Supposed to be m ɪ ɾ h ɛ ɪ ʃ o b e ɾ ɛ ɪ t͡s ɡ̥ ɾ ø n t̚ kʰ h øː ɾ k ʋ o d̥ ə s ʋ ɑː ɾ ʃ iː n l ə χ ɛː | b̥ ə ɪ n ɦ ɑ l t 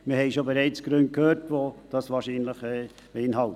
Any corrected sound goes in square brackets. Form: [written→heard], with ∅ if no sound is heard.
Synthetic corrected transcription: m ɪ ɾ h ɛ ɪ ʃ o b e ɾ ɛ ɪ t͡s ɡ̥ ɾ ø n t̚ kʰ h øː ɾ [k→t] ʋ o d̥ [ə→ɑ] s ʋ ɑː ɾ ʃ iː n l ə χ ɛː | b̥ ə ɪ n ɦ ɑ l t